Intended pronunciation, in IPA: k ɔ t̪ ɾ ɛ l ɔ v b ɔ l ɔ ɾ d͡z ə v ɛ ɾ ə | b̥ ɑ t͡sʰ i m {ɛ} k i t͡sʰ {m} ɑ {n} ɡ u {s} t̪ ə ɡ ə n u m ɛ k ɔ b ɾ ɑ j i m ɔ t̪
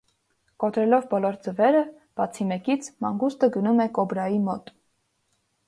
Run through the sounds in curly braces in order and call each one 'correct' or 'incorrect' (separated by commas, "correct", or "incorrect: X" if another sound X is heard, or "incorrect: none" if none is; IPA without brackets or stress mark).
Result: correct, correct, incorrect: ŋ, correct